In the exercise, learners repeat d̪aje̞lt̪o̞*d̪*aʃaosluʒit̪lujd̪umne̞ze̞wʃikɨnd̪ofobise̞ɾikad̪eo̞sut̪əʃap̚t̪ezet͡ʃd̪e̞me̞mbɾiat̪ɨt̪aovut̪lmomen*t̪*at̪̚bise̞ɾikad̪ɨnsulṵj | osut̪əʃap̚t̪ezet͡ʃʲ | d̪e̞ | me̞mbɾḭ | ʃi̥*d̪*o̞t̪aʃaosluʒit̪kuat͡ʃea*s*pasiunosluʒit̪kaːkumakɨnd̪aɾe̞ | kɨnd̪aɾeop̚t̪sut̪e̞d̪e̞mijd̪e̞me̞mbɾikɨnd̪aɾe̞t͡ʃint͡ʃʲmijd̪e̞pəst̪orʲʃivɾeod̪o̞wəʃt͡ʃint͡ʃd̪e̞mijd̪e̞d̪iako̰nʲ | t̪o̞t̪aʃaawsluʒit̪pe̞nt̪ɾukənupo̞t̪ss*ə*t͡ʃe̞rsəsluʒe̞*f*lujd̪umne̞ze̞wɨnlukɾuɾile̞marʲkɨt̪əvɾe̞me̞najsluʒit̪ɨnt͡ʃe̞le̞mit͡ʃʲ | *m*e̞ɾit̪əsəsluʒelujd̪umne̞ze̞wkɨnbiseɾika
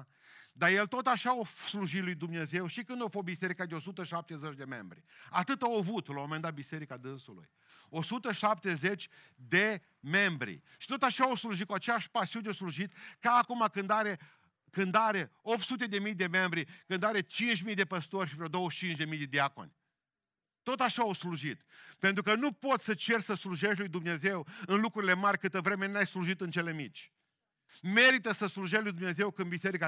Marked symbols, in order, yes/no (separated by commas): no, no, no, no, yes, no, yes